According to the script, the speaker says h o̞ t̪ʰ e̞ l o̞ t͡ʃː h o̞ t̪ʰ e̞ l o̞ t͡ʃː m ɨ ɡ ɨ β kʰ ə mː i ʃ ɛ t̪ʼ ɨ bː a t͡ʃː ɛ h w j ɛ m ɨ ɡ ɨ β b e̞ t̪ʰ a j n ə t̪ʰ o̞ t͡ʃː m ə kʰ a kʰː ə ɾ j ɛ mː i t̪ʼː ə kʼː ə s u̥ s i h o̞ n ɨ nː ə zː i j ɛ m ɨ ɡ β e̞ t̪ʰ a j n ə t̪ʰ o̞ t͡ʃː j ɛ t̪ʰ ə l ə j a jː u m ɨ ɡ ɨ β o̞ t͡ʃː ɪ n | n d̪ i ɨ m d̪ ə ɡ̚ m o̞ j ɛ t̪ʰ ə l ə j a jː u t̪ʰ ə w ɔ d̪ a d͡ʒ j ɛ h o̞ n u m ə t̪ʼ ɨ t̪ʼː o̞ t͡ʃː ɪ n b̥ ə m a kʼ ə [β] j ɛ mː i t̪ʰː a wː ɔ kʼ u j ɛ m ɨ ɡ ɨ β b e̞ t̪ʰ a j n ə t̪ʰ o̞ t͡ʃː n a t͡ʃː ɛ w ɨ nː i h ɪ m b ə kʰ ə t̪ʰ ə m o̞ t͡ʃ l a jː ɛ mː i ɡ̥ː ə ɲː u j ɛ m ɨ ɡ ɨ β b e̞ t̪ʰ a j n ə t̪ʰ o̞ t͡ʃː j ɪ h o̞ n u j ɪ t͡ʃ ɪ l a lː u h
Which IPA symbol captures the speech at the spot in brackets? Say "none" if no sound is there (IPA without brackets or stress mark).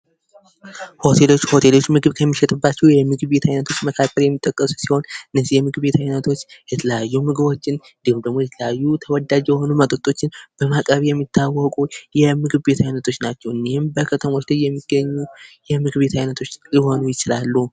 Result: β